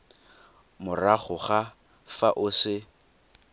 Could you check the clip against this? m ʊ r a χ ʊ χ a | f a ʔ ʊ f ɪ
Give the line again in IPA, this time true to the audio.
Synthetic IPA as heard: m ʊ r a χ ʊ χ a | f a ʔ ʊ s ɪ